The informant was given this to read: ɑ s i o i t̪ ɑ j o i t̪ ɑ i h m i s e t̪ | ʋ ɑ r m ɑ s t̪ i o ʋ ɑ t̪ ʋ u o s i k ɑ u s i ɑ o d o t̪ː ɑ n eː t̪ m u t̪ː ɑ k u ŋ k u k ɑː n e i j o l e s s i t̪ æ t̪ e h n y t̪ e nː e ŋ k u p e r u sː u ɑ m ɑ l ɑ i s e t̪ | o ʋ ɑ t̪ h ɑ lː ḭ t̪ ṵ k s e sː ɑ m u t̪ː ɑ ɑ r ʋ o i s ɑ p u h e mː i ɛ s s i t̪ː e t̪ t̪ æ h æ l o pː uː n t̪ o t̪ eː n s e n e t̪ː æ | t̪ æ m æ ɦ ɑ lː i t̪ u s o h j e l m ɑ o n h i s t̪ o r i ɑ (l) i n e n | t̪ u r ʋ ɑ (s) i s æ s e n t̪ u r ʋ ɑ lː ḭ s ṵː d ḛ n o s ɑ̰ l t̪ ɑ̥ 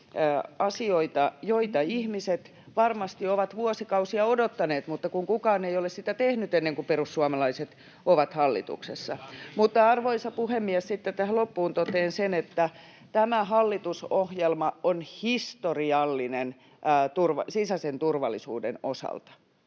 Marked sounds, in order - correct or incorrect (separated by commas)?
incorrect, correct